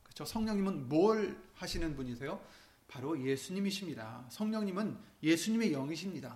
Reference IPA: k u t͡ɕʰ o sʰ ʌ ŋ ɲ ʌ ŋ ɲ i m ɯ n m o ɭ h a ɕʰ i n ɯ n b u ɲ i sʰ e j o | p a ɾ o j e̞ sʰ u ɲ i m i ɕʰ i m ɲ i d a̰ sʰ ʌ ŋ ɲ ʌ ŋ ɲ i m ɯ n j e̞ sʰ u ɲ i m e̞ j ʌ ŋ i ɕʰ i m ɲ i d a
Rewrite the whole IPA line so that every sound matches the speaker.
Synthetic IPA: k ɯ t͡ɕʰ o sʰ ʌ ŋ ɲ ʌ ŋ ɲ i m ɯ n m o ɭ h a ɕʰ i n ɯ n b u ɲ i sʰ e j o | p a ɾ o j e̞ sʰ u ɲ i m i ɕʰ i m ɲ i d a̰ sʰ ʌ ŋ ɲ ʌ ŋ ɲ i m ɯ n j e̞ sʰ u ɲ i m e̞ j ʌ ŋ i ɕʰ i m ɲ i d a